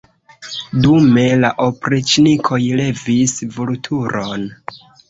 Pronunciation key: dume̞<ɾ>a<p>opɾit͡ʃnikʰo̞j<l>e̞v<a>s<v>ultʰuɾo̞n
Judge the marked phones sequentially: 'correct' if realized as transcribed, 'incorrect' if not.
incorrect: l, incorrect: ʔ, correct, incorrect: i, correct

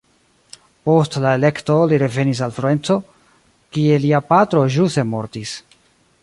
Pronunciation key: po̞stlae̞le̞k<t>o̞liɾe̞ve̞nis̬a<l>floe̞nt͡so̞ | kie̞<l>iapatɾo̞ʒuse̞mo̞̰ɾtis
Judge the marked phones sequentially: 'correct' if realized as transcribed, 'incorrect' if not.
correct, correct, correct

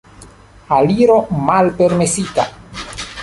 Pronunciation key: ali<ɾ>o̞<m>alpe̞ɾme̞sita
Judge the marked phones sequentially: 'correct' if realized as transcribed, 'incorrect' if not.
correct, correct

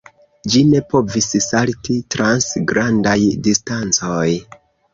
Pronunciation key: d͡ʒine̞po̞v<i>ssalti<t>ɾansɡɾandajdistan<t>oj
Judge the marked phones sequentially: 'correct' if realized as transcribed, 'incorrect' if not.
correct, correct, incorrect: t͡s

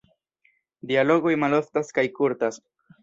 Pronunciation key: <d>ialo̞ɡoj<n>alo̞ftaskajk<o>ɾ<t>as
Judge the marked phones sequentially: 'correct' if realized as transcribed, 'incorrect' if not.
correct, incorrect: m, incorrect: u, correct

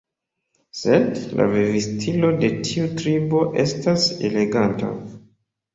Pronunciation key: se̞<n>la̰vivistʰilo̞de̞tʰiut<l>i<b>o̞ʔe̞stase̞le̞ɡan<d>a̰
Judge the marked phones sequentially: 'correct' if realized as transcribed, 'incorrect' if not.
incorrect: d, incorrect: ɾ, correct, incorrect: t

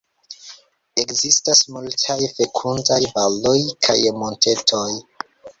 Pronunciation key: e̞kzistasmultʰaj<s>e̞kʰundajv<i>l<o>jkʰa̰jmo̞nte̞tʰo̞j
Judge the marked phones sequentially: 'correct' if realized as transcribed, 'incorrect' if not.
incorrect: f, incorrect: a, correct

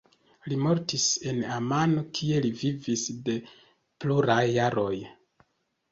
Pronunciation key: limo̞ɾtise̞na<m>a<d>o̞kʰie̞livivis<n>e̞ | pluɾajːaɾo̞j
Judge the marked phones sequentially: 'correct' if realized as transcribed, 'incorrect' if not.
correct, incorrect: n, incorrect: d

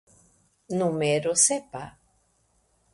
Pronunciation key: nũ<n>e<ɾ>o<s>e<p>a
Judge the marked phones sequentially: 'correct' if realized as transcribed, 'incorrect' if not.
incorrect: m, correct, correct, correct

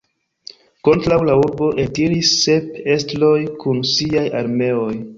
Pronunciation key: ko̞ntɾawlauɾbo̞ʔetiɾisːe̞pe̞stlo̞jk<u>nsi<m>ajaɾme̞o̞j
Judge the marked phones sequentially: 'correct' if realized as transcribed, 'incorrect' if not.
correct, incorrect: none

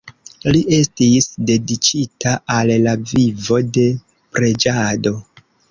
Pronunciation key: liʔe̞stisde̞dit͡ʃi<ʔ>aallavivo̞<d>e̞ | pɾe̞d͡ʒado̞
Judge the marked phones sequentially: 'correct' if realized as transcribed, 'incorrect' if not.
incorrect: t, correct

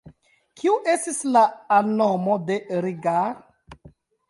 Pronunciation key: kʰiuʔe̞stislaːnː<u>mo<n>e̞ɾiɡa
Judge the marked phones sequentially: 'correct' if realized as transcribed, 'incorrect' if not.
incorrect: o, incorrect: d

